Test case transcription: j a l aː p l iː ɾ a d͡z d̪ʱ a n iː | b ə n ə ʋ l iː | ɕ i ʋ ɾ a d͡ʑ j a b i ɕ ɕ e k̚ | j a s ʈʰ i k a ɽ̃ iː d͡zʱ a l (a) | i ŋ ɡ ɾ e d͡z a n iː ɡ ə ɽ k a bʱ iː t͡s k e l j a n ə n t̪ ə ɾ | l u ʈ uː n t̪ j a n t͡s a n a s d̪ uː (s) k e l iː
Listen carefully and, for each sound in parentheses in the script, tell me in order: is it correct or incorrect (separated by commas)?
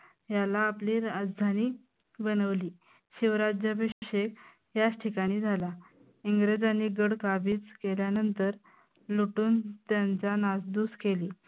correct, correct